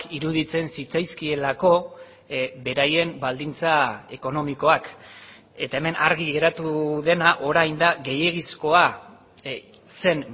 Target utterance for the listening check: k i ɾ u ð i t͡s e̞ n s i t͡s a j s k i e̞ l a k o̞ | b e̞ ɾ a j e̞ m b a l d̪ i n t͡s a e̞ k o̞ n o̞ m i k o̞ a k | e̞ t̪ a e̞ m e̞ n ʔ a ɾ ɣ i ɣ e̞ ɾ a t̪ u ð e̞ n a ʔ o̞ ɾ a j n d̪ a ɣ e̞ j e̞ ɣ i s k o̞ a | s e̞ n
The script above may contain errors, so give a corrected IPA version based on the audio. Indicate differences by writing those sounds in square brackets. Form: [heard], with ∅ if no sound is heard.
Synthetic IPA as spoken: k i ɾ u ð i t͡s e̞ n s i t͡s a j s k i e̞ l a k o̞ | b e̞ ɾ a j e̞ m b a l d̪ i n t͡s a e̞ k o̞ n o̞ m i k o̞ a k | e̞ t̪ a e̞ m e̞ n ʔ a ɾ ɣ i ɣ e̞ ɾ a t̪ u ð e̞ n a ʔ o̞ ɾ a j n d̪ a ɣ e̞ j e̞ ɣ i s k o̞ a | s e̞ n